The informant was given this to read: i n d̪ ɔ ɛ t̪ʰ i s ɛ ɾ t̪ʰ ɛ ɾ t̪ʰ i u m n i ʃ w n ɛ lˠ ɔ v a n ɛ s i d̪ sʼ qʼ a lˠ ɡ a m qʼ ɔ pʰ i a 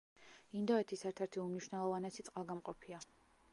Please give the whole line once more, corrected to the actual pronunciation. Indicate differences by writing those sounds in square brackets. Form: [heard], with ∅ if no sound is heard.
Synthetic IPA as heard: i n d̪ ɔ ɛ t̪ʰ i s ɛ ɾ t̪ʰ ɛ ɾ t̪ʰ i u m n i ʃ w n ɛ lˠ ɔ v a n ɛ s i [t̪] sʼ qʼ a lˠ ɡ a m qʼ ɔ pʰ i a